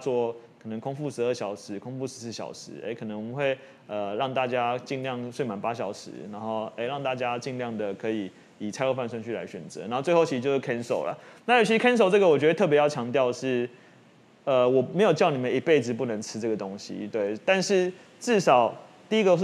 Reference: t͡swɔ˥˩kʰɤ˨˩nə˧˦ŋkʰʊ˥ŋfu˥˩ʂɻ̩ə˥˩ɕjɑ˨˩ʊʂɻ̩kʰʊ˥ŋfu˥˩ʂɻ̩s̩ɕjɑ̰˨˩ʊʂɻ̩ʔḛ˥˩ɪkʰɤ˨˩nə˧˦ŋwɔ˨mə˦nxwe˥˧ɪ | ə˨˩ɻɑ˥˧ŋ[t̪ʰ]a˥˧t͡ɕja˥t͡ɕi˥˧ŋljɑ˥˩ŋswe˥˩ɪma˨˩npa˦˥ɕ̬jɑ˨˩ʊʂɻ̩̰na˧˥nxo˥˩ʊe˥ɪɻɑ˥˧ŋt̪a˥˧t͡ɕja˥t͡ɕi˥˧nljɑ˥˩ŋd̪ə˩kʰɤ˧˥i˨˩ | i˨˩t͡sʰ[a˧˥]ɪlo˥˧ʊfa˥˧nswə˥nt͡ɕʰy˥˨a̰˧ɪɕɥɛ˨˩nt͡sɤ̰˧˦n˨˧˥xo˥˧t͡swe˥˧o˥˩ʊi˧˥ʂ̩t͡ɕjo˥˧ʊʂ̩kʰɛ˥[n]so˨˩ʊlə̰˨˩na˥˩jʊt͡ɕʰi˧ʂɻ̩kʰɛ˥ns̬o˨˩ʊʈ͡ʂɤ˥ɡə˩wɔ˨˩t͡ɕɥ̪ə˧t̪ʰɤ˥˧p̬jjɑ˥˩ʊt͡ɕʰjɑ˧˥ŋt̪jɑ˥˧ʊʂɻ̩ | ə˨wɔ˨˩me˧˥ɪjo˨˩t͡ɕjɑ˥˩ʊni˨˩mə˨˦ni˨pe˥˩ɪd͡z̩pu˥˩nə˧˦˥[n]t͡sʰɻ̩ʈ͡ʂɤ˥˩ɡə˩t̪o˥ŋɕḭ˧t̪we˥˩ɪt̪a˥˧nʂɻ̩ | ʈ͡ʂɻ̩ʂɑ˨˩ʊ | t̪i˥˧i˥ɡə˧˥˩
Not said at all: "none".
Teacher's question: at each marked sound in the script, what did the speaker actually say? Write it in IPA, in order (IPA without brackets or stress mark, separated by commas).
t̪, a˥, n, ŋ